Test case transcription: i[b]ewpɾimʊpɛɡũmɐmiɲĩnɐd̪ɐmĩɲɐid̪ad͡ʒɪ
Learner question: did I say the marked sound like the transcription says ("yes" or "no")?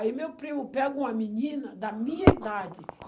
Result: no